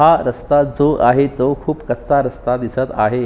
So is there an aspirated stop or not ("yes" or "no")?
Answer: yes